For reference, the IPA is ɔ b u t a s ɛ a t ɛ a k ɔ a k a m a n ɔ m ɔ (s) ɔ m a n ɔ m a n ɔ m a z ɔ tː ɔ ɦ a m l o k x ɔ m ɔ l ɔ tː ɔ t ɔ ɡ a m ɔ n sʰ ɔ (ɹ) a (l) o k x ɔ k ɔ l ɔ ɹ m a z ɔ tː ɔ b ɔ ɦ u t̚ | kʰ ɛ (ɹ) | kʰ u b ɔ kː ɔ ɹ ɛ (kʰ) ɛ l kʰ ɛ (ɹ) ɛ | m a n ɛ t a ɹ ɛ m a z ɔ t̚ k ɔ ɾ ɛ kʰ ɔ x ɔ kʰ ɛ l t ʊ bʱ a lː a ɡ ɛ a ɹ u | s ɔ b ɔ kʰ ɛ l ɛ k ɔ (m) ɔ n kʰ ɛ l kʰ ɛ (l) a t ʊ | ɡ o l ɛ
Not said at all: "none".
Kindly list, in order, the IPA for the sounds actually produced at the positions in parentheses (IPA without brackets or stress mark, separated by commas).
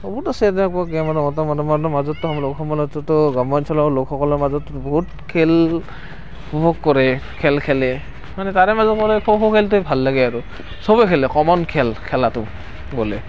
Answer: t, l, l, l, kʰ, l, m, l